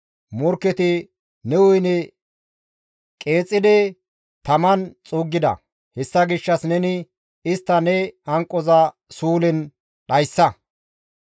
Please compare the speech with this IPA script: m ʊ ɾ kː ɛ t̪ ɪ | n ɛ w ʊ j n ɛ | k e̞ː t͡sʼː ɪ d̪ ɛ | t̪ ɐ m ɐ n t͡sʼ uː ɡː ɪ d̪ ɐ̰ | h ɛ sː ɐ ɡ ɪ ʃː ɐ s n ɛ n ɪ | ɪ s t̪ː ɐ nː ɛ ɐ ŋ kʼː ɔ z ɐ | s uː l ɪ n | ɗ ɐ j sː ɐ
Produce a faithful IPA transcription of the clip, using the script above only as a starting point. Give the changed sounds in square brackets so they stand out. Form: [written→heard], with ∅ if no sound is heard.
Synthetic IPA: m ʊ ɾ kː ɛ t̪ ɪ | n ɛ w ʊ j n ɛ | [k→kʼ] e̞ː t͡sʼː ɪ d̪ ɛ | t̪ ɐ m ɐ n t͡sʼ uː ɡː ɪ d̪ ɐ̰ | h ɛ sː ɐ ɡ ɪ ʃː ɐ s n ɛ n ɪ | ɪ s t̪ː ɐ [nː→n] ɛ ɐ ŋ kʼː ɔ z ɐ | s uː l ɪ n | ɗ ɐ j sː ɐ